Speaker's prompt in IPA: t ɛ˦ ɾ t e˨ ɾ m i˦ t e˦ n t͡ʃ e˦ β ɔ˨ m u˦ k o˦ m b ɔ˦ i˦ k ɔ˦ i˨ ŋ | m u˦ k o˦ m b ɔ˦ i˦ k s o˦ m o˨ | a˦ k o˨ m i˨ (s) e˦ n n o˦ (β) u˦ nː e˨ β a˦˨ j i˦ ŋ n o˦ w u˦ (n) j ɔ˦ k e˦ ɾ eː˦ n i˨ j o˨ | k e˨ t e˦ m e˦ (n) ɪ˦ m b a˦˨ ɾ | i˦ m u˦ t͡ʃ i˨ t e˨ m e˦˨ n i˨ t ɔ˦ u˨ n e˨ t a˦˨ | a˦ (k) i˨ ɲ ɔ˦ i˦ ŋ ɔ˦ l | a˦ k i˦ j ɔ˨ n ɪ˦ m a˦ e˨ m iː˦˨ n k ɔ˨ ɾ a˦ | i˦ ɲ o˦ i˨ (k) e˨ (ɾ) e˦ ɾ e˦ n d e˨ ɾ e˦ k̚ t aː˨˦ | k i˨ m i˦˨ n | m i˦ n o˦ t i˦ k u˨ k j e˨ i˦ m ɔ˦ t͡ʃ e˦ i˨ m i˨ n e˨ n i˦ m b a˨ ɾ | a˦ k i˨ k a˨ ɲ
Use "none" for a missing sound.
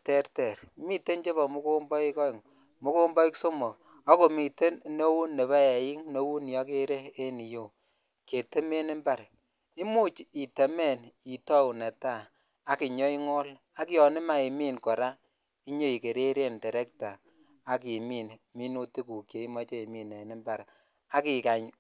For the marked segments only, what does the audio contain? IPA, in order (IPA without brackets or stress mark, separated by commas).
t, w, n, n, k, k, ɾ